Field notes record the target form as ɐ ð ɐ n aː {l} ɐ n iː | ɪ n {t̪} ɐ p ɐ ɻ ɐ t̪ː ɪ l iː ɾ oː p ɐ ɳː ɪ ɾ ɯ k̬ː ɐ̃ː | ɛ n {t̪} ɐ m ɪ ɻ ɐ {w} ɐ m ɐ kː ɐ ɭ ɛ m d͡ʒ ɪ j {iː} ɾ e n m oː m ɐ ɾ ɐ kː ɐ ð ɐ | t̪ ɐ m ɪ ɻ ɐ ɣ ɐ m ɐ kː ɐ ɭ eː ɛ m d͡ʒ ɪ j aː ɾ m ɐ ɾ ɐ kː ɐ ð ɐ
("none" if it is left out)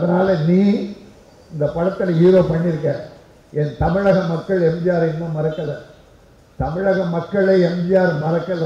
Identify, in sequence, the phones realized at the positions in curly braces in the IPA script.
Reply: l, d̪, t̪, ɣ, aː

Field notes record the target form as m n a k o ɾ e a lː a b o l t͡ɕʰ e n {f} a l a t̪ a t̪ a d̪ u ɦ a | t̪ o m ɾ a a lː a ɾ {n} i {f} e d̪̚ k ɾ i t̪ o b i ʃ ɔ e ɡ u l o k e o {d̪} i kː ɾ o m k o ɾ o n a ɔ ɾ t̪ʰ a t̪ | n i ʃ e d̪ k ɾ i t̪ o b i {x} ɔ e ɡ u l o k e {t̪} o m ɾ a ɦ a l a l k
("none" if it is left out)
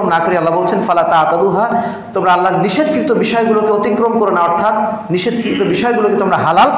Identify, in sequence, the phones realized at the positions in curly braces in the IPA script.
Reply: f, n, ʃ, t̪, ʃ, t̪

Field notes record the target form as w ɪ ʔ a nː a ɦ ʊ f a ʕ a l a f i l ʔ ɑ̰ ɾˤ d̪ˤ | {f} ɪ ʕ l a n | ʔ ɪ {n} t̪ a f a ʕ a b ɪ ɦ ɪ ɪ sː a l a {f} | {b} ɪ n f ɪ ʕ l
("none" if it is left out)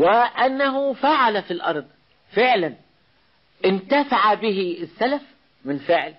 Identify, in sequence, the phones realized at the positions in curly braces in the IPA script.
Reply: f, n, f, m

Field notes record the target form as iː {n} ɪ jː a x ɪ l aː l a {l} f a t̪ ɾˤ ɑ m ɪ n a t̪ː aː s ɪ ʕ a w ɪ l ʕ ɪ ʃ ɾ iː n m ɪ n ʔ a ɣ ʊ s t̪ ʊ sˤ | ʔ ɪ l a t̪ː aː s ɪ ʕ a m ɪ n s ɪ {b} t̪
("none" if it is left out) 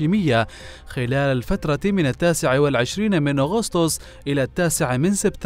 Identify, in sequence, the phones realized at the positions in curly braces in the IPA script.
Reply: m, l, b

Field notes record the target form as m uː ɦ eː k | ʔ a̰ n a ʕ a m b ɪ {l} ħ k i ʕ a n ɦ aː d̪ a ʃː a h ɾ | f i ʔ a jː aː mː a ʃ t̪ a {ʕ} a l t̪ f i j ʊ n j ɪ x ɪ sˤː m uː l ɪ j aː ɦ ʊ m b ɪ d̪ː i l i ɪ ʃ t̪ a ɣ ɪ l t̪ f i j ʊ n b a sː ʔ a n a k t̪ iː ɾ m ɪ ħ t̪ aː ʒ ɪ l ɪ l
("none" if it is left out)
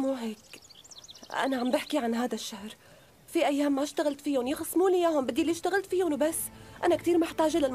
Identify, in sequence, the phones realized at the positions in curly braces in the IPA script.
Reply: none, ɣ

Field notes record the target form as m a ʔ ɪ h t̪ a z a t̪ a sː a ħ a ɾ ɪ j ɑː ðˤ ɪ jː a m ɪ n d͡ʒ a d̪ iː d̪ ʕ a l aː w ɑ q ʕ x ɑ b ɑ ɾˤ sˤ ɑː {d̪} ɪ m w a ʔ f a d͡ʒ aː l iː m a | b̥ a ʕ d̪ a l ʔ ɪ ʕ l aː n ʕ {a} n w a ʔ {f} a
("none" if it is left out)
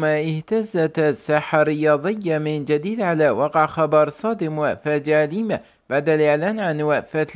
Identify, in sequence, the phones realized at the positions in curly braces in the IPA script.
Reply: d̪, a, f

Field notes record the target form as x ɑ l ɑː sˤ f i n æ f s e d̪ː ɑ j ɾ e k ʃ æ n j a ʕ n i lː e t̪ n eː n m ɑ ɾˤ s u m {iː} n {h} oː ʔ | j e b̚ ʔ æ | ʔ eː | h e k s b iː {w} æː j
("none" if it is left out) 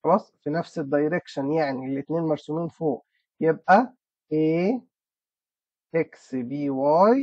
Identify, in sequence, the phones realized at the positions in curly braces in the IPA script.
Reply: iː, f, w

